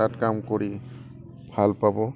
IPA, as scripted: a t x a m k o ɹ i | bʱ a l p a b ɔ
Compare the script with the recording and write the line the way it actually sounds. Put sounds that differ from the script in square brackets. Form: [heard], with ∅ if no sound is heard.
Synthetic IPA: a t [k] a m k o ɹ i | bʱ a l p a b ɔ

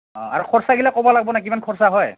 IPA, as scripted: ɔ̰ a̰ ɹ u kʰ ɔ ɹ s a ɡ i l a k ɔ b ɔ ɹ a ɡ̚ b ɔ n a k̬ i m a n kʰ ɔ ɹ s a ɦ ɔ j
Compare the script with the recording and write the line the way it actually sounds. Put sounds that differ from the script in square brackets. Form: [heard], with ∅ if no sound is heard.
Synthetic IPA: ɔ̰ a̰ ɹ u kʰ ɔ ɹ s a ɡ i l a k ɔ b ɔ [l] a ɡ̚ b ɔ n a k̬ i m a n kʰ ɔ ɹ s a ɦ ɔ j

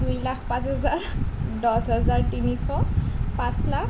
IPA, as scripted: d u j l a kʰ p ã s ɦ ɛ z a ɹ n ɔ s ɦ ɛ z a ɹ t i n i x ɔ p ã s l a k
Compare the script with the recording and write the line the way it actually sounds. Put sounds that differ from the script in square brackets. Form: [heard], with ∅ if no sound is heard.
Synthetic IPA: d u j l a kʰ p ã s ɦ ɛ z a ɹ [d] ɔ s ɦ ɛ z a ɹ t i n i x ɔ p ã s l a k

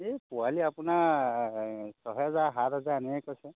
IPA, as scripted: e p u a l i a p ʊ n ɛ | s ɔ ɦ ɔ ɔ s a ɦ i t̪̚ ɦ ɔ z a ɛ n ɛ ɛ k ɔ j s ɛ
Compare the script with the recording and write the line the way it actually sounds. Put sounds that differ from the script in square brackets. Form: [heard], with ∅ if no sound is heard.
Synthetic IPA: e p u a l i a p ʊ n [a] | s ɔ ɦ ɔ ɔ [z] a ɦ [a] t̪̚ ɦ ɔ z a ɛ n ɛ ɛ k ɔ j s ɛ

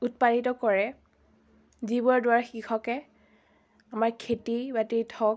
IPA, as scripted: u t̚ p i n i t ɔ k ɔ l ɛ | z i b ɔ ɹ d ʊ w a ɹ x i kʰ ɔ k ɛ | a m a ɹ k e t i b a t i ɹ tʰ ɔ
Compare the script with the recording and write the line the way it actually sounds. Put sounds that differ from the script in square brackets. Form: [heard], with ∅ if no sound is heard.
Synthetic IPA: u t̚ p [a] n i t ɔ k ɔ [ɹ] ɛ | z i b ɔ ɹ d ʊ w a ɹ x i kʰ ɔ k ɛ | a m a ɹ [kʰ] e t i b a t i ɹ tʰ ɔ

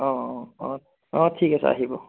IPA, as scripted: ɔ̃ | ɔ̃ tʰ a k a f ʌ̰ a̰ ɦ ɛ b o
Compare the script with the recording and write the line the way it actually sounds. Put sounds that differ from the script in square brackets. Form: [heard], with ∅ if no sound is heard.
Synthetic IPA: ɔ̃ | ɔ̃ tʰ [i] k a [s] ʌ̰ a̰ ɦ [i] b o

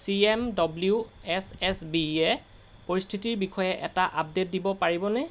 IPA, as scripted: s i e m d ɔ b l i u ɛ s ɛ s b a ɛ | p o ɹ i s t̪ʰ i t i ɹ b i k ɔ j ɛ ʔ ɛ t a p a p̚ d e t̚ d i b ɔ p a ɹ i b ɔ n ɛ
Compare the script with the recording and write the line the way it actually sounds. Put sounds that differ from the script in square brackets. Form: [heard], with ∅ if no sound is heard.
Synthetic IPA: s i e m d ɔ b l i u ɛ s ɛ s b [i] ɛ | p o ɹ i s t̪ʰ i t i ɹ b i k ɔ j ɛ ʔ ɛ t a [ʔ] a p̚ d e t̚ d i b ɔ p a ɹ i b ɔ n ɛ

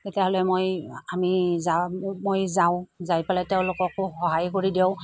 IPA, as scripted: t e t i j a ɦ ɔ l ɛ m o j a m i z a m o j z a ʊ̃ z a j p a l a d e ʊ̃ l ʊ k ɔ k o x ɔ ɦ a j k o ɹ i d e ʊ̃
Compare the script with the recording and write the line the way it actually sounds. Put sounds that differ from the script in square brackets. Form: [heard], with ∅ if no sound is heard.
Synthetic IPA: t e t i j a ɦ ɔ l ɛ m o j a m i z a m o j z a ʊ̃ z a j p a l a [t] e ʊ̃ l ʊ k ɔ k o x ɔ ɦ a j k o ɹ i d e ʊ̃

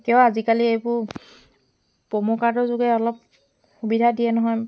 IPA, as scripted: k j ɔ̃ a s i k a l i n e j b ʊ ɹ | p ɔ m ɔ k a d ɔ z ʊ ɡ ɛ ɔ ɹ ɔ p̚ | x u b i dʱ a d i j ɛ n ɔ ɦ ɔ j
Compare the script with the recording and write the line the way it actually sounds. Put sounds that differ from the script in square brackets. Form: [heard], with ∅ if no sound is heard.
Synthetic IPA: k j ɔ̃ a [z] i k a l i [∅] e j b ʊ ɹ | p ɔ m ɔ k a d ɔ z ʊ ɡ ɛ ɔ [l] ɔ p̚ | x u b i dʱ a d i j ɛ n ɔ ɦ ɔ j

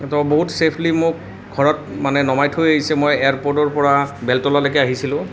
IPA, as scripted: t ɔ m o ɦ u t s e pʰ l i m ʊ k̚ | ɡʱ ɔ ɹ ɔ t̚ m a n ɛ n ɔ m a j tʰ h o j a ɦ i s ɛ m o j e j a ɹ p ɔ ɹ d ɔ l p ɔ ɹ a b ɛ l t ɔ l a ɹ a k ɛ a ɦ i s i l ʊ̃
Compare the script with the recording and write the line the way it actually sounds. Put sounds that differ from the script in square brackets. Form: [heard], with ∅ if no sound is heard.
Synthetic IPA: t ɔ [b] o ɦ u t s e pʰ l i m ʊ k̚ | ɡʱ ɔ ɹ ɔ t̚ m a n ɛ n ɔ m a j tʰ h o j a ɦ i s ɛ m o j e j a ɹ p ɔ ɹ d ɔ [ɹ] p ɔ ɹ a b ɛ l t ɔ l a [l] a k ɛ a ɦ i s i l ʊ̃

